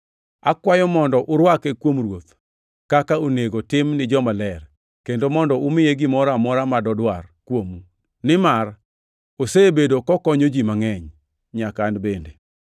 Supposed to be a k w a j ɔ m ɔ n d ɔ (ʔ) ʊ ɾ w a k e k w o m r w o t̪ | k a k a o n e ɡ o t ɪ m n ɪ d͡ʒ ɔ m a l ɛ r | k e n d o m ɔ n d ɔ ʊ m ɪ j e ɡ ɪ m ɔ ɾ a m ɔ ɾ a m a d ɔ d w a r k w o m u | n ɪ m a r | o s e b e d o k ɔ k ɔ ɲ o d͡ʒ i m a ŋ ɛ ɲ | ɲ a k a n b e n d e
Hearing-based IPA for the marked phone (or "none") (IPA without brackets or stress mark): ʔ